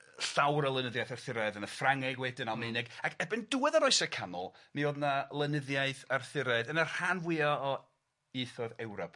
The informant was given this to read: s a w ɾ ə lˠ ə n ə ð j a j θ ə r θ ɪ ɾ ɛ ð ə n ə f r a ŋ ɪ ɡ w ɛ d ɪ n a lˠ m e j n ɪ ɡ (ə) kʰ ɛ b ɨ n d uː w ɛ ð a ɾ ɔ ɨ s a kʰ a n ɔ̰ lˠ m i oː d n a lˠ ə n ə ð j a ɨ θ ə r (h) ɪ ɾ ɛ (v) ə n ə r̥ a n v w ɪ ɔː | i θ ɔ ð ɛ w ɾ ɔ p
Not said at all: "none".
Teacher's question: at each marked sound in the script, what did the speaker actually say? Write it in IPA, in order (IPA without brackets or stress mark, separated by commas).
a, θ, ð